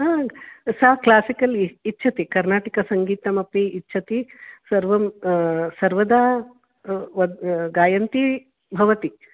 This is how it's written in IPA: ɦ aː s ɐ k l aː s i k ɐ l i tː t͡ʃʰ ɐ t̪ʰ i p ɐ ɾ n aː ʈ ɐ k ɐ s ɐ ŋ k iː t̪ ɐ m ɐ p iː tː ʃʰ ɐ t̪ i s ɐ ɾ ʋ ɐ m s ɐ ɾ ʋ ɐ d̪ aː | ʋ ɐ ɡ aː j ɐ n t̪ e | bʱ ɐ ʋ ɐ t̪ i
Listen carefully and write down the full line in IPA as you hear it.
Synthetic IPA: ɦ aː s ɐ k l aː s i k ɐ l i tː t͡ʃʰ ɐ t̪ i k ɐ ɾ n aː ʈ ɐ k ɐ s ɐ ŋ ɡ iː t̪ ɐ m ɐ p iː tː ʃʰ ɐ t̪ i s ɐ ɾ ʋ ɐ m s ɐ ɾ ʋ ɐ d̪ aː | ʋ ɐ ɡ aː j ɐ n t̪ i | bʱ ɐ ʋ ɐ t̪ i